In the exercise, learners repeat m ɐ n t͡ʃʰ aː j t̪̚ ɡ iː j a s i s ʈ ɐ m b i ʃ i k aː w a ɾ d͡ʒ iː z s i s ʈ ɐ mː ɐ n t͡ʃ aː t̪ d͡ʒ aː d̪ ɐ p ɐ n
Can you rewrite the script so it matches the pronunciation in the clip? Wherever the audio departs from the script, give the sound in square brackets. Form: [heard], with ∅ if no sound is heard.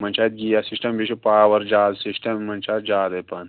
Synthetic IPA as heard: m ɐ n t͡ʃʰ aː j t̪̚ ɡ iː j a s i s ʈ ɐ m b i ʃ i [p] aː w [ɐ] ɾ d͡ʒ [aː] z s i s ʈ ɐ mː ɐ n t͡ʃ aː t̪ d͡ʒ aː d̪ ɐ p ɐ n

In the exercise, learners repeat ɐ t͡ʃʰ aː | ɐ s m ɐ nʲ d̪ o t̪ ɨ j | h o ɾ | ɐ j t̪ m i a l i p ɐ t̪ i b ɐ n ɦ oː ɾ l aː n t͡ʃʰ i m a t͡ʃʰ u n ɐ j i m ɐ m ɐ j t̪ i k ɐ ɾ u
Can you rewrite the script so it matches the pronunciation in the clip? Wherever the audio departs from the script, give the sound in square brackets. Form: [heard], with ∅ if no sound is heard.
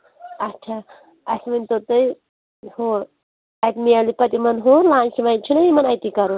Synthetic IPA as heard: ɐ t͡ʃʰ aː | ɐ s m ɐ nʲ [t̪] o t̪ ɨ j | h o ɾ | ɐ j t̪ m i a l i p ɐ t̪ i [m] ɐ n ɦ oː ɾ l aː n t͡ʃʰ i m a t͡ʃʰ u n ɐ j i m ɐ [n] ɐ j t̪ i k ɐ ɾ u

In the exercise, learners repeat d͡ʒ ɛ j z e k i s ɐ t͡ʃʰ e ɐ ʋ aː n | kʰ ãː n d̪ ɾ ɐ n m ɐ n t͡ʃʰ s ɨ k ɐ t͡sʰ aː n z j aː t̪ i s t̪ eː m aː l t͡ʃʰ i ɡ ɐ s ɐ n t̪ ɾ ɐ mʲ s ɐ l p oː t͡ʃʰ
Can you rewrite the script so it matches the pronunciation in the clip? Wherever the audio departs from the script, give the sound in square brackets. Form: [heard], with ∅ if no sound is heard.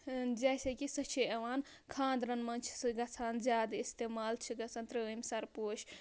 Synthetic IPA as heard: d͡ʒ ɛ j [s] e k i s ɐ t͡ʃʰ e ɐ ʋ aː n | kʰ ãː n d̪ ɾ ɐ n m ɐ n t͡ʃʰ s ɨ [ɡ] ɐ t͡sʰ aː n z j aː [d̪] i s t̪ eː m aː l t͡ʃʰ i ɡ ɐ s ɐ n t̪ ɾ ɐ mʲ s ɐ [ɾ] p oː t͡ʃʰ

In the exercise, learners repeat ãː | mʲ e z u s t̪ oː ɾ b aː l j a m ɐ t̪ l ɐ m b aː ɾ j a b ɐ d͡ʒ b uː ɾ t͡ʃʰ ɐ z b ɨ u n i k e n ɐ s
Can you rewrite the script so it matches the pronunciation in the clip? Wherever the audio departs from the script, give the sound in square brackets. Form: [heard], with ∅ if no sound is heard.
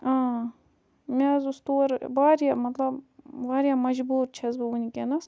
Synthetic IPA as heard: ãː | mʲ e z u s t̪ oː ɾ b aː [ɾ] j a m ɐ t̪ l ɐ [b] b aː ɾ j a [m] ɐ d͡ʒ b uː ɾ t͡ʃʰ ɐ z b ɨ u n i k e n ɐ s

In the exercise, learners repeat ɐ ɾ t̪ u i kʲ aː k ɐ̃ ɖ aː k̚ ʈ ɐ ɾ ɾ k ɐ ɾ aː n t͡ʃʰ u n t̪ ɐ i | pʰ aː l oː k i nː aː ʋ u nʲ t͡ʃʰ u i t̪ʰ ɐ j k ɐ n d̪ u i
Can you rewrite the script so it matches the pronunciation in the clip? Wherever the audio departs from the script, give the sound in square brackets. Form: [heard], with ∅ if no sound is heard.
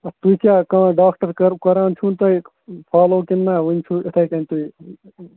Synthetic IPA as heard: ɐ [∅] t̪ u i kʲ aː k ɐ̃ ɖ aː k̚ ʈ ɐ ɾ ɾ k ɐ ɾ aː n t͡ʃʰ u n t̪ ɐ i | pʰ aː l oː k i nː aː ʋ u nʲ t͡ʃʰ u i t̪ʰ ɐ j k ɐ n [t̪] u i

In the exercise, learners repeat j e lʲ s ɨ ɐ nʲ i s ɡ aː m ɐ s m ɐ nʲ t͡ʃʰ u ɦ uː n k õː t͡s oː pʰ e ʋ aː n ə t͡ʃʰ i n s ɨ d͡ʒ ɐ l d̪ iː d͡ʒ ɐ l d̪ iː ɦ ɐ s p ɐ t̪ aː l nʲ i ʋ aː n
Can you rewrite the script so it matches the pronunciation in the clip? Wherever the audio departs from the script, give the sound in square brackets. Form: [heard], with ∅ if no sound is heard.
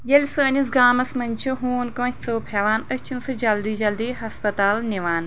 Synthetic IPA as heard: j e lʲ s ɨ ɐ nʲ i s ɡ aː m ɐ s m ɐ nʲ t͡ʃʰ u ɦ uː n k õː t͡s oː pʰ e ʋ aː n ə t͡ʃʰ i n s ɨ d͡ʒ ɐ l d̪ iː d͡ʒ ɐ l d̪ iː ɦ ɐ s p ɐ t̪ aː l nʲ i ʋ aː n

